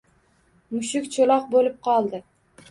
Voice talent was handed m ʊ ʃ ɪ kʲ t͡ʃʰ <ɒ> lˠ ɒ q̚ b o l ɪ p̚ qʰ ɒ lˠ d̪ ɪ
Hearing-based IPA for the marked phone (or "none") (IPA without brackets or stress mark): o